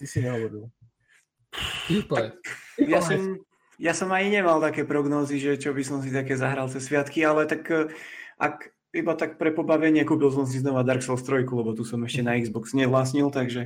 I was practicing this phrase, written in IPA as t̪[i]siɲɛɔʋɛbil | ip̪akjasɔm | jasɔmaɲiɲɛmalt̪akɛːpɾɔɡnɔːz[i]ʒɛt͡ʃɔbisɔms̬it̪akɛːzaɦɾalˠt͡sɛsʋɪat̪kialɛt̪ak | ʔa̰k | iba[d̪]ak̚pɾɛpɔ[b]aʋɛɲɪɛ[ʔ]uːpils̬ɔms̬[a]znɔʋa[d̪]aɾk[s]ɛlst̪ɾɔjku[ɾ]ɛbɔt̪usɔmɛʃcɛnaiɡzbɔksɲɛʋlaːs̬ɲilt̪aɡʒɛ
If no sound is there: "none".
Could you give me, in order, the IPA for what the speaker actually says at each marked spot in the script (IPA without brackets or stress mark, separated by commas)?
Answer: i, i, t̪, b, k, i, d̪, s, l